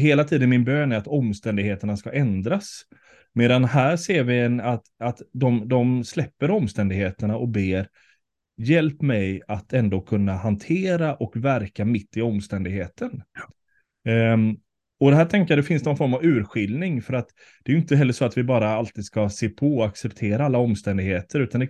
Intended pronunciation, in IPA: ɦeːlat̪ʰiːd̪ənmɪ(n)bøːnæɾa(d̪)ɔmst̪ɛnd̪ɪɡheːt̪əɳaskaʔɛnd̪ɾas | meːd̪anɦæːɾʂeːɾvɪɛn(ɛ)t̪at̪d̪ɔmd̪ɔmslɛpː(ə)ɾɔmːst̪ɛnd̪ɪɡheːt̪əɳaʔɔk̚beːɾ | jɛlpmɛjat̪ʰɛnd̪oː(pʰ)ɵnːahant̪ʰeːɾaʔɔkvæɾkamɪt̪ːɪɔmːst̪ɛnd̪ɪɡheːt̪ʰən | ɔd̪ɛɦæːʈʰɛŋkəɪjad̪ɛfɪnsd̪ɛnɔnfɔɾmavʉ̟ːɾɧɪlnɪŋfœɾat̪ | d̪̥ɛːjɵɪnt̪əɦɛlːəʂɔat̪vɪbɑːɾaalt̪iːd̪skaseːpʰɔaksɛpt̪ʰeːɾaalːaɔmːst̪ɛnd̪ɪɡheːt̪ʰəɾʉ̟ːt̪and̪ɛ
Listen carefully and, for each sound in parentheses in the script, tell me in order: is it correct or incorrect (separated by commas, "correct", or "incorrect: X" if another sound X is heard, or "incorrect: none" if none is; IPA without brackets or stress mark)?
correct, incorrect: t̪, incorrect: a, correct, incorrect: kʰ